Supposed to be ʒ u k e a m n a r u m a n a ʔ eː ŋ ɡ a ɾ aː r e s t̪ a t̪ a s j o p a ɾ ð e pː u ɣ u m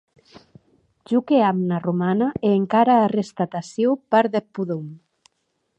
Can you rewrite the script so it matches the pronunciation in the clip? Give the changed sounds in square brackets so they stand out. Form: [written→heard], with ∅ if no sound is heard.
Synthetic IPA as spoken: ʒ u k e a m n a r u m a n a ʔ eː ŋ [ɡ→k] a ɾ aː r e s t̪ a t̪ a s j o p a ɾ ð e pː u [ɣ→ð] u m